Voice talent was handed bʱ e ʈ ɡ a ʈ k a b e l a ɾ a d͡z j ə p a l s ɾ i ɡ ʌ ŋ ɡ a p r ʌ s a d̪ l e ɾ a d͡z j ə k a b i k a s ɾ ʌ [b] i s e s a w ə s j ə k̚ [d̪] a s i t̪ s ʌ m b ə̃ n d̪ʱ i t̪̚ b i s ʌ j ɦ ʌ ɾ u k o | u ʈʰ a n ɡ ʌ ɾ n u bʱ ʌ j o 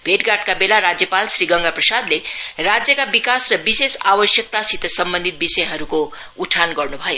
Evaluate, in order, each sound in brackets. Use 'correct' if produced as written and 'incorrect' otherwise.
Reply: correct, incorrect: t̪

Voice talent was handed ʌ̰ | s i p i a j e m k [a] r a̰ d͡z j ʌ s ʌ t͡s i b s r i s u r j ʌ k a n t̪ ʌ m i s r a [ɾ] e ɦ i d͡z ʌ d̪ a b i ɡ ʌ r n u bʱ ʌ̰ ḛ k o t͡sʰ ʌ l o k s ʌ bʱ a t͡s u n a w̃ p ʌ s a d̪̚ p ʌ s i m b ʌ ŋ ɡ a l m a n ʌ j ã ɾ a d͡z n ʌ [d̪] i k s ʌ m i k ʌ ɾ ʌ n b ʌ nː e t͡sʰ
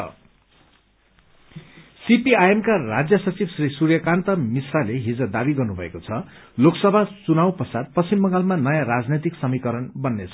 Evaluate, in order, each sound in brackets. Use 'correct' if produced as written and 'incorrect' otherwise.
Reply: correct, incorrect: l, incorrect: t̪

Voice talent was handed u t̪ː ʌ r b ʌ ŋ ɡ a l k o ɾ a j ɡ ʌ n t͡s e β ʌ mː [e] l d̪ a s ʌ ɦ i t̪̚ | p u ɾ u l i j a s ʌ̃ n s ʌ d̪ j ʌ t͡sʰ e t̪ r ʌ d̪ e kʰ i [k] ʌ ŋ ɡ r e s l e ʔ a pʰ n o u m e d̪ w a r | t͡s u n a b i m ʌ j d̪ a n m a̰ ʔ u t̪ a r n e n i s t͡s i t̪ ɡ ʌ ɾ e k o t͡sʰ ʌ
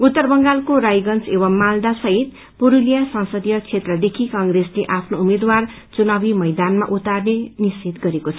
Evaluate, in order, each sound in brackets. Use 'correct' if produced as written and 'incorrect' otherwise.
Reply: incorrect: a, correct

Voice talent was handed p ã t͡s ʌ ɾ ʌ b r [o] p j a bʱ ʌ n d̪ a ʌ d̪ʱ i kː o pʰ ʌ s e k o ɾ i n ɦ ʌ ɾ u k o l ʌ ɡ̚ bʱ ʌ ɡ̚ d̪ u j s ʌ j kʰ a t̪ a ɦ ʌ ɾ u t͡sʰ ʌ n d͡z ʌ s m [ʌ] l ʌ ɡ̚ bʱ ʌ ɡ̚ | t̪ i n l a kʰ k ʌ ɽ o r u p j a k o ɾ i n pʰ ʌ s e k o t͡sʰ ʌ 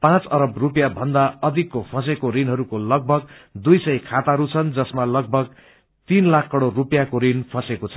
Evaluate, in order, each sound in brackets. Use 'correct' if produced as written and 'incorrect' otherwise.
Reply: incorrect: u, incorrect: a

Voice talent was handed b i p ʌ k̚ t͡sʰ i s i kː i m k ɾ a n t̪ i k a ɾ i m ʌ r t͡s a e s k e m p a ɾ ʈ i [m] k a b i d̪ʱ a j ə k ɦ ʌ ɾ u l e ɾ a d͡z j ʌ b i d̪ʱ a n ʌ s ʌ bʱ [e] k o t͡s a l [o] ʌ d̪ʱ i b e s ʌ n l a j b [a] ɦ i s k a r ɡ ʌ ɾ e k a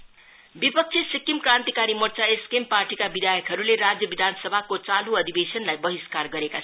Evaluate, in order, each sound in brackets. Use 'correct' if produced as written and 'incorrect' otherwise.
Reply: incorrect: none, incorrect: a, incorrect: u, incorrect: ʌ

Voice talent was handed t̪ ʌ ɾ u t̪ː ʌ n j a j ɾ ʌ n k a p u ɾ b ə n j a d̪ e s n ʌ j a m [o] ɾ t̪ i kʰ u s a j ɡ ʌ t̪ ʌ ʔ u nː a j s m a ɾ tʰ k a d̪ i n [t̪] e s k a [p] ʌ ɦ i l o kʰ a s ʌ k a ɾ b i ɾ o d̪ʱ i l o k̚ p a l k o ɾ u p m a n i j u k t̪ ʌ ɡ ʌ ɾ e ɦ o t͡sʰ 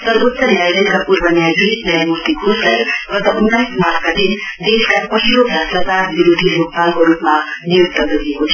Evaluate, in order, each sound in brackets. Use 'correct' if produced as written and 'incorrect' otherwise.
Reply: incorrect: u, incorrect: d̪, correct

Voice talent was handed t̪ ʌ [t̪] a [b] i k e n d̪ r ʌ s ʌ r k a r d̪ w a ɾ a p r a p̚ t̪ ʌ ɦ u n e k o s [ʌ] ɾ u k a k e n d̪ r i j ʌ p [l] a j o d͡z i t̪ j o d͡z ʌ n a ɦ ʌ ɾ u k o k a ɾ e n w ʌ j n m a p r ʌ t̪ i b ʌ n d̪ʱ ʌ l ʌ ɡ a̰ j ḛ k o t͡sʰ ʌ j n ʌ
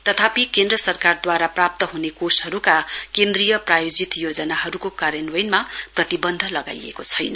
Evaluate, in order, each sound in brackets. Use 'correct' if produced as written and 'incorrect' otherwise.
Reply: incorrect: t̪ʰ, incorrect: p, correct, incorrect: r

